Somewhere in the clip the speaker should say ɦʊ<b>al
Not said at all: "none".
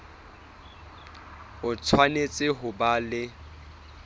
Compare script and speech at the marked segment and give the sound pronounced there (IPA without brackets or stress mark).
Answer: b